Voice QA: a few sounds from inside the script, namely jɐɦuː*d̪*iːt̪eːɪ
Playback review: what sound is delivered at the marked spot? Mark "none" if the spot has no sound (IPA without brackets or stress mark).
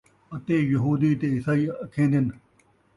d̪